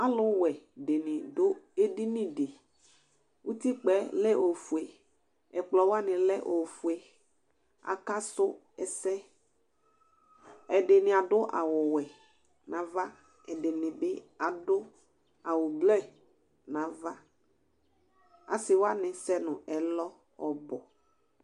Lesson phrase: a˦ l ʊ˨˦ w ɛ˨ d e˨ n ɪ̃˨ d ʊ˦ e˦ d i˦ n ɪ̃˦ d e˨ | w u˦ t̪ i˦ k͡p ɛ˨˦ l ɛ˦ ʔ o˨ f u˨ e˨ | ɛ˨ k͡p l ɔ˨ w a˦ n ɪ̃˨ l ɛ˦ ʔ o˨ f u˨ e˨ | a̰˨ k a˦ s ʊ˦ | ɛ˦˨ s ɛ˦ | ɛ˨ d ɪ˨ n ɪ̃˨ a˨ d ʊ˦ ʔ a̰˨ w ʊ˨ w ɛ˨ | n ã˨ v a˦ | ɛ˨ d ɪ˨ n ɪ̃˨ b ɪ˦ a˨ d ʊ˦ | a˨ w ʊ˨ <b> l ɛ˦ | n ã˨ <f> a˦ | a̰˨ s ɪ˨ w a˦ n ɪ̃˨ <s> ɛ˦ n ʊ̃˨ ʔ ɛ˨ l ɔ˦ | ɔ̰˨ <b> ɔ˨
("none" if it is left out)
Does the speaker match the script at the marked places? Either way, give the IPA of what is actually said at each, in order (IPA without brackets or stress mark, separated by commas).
b, v, s, b